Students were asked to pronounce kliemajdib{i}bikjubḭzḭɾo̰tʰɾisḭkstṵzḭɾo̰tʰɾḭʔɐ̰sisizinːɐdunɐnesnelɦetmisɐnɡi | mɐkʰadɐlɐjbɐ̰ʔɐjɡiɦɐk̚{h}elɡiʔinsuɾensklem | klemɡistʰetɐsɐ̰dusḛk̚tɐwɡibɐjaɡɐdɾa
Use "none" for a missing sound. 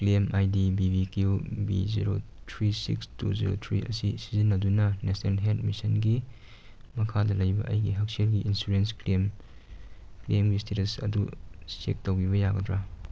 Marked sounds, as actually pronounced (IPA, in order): i, s

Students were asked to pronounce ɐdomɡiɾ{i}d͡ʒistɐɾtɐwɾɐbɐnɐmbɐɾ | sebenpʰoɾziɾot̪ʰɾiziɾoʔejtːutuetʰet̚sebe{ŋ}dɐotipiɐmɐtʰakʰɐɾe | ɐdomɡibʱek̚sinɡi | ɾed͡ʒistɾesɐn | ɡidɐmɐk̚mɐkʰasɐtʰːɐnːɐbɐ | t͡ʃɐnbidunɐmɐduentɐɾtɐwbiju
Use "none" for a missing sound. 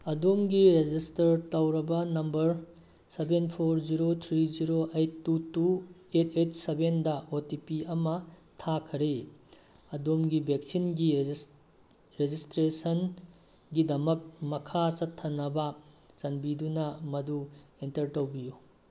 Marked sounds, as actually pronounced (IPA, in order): e, n

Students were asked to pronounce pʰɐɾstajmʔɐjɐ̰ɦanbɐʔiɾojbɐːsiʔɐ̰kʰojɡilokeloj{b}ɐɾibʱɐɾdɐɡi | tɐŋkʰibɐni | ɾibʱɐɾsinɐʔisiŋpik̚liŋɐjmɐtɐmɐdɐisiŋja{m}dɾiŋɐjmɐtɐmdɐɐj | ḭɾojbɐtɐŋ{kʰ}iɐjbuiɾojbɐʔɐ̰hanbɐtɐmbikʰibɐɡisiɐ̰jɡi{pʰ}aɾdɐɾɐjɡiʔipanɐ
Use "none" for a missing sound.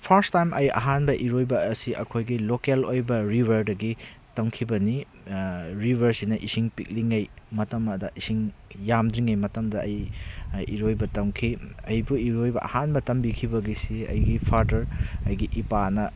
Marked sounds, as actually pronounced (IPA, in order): b, m, kʰ, pʰ

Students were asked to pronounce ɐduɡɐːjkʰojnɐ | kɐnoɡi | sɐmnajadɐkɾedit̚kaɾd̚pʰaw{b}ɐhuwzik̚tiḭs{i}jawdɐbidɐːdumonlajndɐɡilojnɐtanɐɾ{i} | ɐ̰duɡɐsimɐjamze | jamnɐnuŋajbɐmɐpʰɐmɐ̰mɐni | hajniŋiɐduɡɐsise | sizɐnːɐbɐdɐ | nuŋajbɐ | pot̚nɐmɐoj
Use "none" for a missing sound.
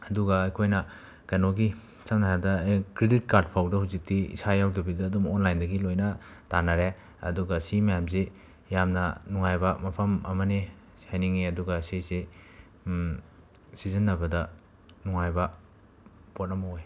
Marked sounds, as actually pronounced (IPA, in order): d, a, e

